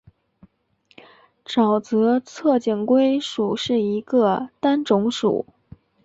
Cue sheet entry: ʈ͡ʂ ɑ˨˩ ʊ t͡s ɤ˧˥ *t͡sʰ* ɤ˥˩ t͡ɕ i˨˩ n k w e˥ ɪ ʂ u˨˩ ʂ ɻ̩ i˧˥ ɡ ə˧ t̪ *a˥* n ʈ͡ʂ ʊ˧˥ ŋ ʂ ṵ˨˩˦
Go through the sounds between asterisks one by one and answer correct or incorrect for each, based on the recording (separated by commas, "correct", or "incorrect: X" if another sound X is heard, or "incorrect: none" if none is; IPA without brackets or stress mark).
correct, correct